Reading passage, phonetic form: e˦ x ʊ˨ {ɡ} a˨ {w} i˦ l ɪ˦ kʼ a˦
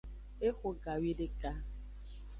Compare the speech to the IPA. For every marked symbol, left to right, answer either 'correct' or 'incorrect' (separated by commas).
correct, correct